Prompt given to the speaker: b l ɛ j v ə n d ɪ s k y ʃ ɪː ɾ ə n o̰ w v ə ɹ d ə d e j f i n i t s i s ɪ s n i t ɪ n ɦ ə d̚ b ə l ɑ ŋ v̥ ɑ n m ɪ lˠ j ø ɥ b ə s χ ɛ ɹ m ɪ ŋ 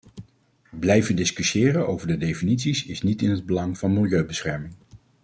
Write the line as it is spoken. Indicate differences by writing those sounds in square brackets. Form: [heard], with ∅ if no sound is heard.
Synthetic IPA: b l ɛ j v ə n d ɪ s k y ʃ ɪː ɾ ə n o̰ w v ə ɹ d ə d e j f i n i t s i s ɪ s n i t ɪ n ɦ ə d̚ b ə l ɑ ŋ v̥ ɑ n m ɪ lˠ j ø ɥ b ə s χ ɛ ɹ m ɪ ŋ